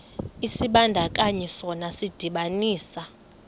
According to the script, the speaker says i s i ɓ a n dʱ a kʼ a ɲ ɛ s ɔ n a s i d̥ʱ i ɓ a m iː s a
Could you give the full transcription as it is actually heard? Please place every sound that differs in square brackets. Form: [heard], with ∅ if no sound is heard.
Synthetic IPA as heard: i s i ɓ a n dʱ a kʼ a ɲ ɛ s ɔ n a s i d̥ʱ i ɓ a [n] iː s a